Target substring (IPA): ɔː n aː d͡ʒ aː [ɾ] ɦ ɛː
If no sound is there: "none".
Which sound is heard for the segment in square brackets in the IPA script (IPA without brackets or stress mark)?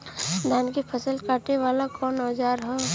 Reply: ɾ